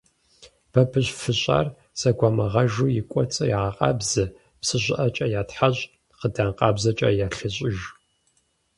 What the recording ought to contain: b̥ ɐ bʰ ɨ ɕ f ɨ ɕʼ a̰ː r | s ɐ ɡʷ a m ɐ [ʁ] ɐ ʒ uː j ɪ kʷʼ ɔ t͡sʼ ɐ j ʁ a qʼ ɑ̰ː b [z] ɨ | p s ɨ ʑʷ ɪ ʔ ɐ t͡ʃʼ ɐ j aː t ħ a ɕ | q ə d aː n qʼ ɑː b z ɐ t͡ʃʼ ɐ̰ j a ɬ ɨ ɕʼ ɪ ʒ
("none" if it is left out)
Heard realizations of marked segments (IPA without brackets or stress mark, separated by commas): ʁ, z